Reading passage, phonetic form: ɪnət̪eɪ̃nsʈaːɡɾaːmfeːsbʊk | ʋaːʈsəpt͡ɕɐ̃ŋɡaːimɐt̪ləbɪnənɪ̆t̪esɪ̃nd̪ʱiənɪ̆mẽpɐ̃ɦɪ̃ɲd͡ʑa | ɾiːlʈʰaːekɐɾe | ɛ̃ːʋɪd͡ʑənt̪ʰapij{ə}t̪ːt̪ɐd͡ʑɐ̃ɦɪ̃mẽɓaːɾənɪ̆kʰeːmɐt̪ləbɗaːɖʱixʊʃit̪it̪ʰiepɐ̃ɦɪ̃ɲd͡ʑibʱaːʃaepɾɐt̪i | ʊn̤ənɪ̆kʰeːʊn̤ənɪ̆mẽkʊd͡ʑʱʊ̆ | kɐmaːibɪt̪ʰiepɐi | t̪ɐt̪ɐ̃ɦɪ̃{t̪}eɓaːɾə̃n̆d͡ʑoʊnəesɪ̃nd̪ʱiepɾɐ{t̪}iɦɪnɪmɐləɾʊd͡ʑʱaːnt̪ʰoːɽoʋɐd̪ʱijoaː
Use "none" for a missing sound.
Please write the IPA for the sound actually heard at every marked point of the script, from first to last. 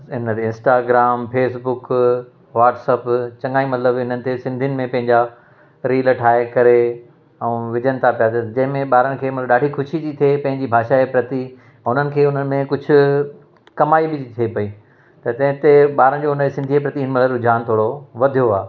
a, t̪, t̪

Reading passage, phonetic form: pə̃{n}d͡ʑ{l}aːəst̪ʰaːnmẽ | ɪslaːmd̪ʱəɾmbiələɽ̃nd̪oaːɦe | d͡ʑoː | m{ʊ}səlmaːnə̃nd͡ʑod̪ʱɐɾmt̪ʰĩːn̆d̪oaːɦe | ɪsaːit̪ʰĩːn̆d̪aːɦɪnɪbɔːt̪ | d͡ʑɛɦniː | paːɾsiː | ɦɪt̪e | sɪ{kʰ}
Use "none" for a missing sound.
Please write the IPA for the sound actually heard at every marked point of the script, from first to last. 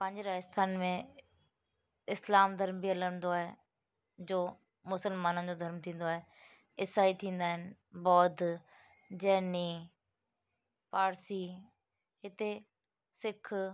ɲ, ɾ, ʊ, kʰ

